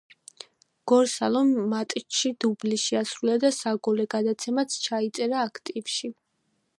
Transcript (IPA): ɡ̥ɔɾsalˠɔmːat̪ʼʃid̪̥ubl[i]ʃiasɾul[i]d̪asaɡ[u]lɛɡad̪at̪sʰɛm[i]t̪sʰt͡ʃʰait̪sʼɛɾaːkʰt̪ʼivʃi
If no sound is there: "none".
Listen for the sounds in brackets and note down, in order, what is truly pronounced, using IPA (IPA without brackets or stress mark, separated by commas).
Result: i, a, ɔ, a